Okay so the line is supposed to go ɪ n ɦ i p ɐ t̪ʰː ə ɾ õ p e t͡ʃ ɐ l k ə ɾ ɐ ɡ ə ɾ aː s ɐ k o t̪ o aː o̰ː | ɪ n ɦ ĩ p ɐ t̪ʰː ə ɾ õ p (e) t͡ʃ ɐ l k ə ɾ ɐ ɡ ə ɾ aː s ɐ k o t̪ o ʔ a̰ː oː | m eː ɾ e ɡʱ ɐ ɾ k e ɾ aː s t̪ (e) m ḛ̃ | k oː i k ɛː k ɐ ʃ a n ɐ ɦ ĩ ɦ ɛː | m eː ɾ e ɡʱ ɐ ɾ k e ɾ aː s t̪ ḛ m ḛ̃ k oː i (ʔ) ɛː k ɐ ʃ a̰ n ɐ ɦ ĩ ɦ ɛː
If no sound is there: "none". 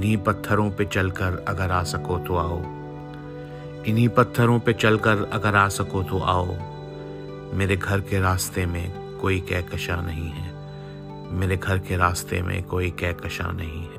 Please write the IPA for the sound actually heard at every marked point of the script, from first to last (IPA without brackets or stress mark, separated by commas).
e, e, k